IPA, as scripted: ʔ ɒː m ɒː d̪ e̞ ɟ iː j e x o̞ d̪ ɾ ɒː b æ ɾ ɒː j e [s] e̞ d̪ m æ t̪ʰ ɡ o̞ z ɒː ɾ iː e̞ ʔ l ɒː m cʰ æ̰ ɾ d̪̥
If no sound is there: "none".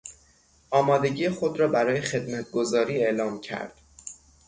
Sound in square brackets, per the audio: x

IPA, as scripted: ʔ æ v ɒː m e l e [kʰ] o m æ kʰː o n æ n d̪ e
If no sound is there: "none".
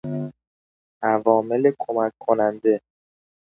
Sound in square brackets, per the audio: kʰ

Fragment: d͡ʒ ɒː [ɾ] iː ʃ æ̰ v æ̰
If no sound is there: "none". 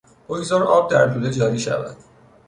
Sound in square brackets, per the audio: ɾ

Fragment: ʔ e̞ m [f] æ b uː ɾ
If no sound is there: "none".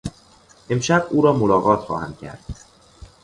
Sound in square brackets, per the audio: ʃ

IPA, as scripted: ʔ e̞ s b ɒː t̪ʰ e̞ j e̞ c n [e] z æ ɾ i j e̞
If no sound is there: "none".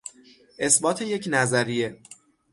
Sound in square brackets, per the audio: æ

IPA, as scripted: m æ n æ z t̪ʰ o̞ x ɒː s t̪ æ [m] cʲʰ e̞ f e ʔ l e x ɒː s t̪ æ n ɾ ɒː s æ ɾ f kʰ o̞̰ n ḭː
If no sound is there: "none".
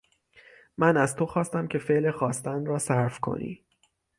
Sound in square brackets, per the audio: m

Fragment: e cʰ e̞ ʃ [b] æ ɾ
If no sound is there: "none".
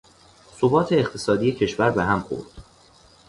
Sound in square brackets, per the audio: v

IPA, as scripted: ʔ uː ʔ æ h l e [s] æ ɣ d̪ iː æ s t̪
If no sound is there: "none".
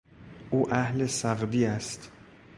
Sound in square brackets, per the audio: s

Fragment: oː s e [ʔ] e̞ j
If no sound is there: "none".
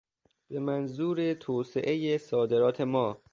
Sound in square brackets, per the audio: ʔ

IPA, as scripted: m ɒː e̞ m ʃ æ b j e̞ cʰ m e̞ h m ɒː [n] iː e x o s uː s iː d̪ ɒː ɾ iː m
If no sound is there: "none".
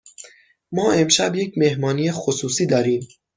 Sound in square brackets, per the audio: n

